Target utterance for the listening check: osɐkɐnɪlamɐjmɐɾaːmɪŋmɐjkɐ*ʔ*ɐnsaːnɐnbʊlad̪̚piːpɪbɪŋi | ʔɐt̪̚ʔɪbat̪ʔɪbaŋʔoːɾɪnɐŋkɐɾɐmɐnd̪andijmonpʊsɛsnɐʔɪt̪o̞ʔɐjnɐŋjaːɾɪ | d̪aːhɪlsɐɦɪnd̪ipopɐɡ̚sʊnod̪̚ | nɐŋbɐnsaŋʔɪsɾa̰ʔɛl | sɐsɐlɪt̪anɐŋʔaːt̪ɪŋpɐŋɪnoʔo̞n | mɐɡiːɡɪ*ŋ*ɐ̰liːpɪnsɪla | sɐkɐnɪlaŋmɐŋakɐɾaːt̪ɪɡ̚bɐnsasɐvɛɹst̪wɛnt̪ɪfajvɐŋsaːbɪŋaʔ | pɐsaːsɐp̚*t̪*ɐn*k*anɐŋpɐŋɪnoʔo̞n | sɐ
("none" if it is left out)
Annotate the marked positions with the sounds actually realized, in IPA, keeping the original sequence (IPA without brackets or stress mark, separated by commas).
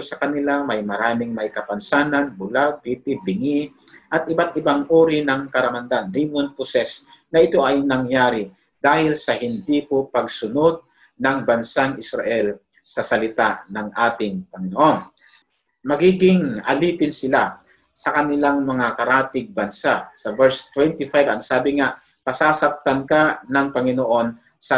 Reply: p, ŋ, t̪, k